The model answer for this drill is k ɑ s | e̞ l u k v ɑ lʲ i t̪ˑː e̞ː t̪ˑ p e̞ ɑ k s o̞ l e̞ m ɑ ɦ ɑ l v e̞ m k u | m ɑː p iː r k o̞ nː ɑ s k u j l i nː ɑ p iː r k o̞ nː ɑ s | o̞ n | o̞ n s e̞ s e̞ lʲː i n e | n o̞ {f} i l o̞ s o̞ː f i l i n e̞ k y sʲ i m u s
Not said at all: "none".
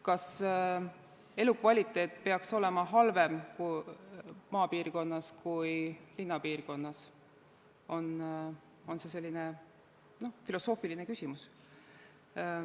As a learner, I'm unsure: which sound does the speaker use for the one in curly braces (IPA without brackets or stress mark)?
f